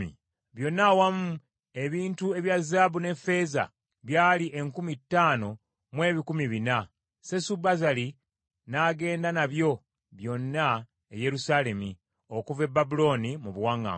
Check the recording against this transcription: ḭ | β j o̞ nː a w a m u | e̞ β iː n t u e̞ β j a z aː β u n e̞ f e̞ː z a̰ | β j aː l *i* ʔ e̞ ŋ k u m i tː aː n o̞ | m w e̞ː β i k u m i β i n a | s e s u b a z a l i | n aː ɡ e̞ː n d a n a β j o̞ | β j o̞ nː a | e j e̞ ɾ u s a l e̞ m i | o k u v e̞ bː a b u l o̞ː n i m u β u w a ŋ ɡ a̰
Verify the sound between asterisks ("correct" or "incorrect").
correct